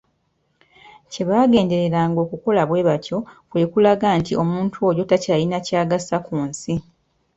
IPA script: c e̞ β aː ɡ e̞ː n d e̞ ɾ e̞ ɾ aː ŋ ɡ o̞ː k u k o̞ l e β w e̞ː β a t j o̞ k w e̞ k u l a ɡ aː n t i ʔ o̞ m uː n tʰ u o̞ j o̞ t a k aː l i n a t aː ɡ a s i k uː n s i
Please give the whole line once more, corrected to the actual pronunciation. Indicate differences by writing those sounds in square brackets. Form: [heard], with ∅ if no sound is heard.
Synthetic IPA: c e̞ β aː ɡ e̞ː n d e̞ ɾ e̞ ɾ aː ŋ ɡ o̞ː k u k o̞ l [a] β w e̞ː β a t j o̞ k w e̞ k u l a ɡ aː n t i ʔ o̞ m uː n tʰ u o̞ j o̞ t a [c] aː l i n a [c] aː ɡ a s [a] k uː n s i